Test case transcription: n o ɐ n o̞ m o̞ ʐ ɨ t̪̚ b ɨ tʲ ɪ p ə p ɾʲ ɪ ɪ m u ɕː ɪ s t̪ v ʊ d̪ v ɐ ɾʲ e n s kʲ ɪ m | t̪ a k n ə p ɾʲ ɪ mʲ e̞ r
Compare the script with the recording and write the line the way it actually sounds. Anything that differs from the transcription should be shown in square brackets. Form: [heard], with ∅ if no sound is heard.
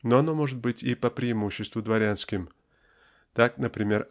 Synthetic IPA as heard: n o ɐ n o̞ m o̞ ʐ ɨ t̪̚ b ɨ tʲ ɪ p ə p ɾʲ ɪ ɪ m u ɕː ɪ s t̪ v ʊ d̪ v ɐ ɾʲ [a] n s kʲ ɪ m | t̪ a k n ə p ɾʲ ɪ mʲ e̞ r

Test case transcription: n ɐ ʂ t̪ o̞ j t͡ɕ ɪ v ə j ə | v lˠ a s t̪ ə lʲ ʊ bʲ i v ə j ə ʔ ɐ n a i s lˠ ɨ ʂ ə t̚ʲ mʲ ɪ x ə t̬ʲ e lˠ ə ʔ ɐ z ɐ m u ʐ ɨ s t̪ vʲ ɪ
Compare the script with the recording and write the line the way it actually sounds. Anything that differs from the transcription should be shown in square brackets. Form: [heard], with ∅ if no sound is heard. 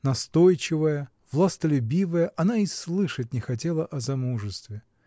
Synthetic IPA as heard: n ɐ [s] t̪ o̞ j t͡ɕ ɪ v ə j ə | v lˠ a s t̪ ə lʲ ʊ bʲ i v ə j ə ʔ ɐ n a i s lˠ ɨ ʂ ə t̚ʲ [nʲ] ɪ x [ɐ] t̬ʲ e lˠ ə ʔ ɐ z ɐ m u ʐ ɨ s t̪ vʲ ɪ

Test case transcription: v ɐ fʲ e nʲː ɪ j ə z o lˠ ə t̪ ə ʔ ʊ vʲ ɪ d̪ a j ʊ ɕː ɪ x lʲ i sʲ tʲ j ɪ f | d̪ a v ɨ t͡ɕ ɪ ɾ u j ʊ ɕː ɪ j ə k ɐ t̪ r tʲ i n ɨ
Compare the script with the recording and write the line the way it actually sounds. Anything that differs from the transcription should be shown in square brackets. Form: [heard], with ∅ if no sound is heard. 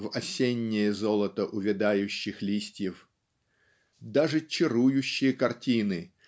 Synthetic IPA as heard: v ɐ [sʲ] e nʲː ɪ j ə z o lˠ ə t̪ ə ʔ ʊ vʲ ɪ d̪ a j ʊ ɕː ɪ x lʲ i sʲ tʲ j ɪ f | d̪ a [ʐ] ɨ t͡ɕ ɪ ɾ u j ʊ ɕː ɪ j ə k ɐ [∅] r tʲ i n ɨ

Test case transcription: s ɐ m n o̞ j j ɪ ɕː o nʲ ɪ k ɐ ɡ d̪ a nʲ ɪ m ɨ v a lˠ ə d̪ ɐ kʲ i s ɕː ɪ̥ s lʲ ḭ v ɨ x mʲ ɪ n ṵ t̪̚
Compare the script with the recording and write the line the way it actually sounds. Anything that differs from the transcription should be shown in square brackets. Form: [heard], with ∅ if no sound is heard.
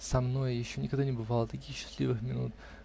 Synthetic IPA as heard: s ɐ m n o̞ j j ɪ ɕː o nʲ ɪ k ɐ ɡ d̪ a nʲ ɪ [b] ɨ v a lˠ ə [t̪] ɐ kʲ i [x] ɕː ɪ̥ s lʲ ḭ v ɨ x mʲ ɪ n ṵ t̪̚

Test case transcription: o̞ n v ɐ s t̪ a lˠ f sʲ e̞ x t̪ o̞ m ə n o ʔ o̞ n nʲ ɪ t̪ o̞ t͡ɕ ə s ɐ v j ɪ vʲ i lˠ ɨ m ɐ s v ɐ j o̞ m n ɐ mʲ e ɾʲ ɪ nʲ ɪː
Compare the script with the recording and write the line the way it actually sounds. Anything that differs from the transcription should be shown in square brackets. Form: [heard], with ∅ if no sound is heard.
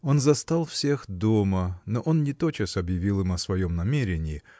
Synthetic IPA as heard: o̞ n [z] ɐ s t̪ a lˠ f sʲ e̞ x [d̪] o̞ m ə n o ʔ o̞ n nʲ ɪ t̪ o̞ t͡ɕ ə s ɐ [b] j ɪ vʲ i lˠ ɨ m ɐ s v ɐ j o̞ m n ɐ mʲ e ɾʲ ɪ nʲ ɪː

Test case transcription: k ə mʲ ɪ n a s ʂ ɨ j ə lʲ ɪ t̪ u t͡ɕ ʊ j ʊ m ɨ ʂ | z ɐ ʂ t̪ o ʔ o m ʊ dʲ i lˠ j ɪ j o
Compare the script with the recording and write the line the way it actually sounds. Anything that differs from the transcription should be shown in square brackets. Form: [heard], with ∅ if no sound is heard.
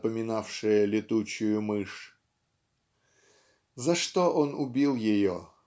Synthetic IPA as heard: [p] ə mʲ ɪ n a [f] ʂ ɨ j ə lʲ ɪ t̪ u t͡ɕ ʊ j ʊ m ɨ ʂ | z ɐ ʂ t̪ o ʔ o [n] ʊ [bʲ] i lˠ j ɪ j o

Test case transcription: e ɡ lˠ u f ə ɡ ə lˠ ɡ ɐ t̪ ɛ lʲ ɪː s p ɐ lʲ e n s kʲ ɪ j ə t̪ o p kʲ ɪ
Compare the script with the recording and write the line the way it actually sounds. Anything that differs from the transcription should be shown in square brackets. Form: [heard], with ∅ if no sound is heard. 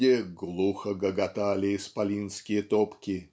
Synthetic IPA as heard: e ɡ lˠ u [x] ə ɡ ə [∅] ɡ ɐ t̪ [a] lʲ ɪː s p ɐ lʲ [i] n s kʲ ɪ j ə t̪ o p kʲ ɪ

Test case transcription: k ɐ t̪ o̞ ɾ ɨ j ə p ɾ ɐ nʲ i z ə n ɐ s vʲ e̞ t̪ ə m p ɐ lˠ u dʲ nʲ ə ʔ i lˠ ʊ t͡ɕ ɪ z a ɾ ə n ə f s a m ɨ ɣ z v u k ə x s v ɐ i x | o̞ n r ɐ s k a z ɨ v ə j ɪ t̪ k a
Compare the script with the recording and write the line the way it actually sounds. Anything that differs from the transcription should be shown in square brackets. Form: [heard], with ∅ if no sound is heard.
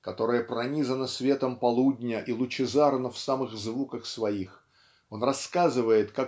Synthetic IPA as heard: k ɐ t̪ o̞ ɾ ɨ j ə p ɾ ɐ nʲ i z ə n [ə] s vʲ e̞ t̪ ə m p ɐ lˠ u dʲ nʲ ə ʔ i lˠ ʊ t͡ɕ ɪ z a ɾ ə n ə f s a m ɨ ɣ z v u k ə x s v ɐ i x | o̞ n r ɐ s k a z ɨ v ə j ɪ t̪ k a

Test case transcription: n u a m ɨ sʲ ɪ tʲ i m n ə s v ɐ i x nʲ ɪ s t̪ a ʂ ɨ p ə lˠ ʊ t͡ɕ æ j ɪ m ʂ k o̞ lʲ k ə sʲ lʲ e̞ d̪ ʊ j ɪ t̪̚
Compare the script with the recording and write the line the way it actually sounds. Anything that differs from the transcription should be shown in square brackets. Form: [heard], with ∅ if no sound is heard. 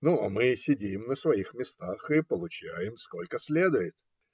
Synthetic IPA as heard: n u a m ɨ sʲ ɪ [dʲ] i m n ə s v ɐ i x [mʲ] ɪ s t̪ a [x] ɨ p ə lˠ ʊ t͡ɕ æ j ɪ m [s] k o̞ lʲ k ə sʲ lʲ e̞ d̪ ʊ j ɪ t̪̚

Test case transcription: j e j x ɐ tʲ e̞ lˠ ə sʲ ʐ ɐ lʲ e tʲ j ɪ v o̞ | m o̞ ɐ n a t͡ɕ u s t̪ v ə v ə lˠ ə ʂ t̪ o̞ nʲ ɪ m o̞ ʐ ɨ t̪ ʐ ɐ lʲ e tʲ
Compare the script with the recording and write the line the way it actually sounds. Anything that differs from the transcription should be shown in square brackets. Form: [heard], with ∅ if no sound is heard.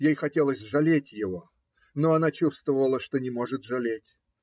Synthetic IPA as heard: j e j x ɐ tʲ e̞ lˠ ə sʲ ʐ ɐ lʲ e tʲ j ɪ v o̞ | [n] o̞ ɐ n a t͡ɕ u s t̪ v ə v ə lˠ ə ʂ t̪ o̞ nʲ ɪ m o̞ ʐ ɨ t̪ ʐ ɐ lʲ e tʲ

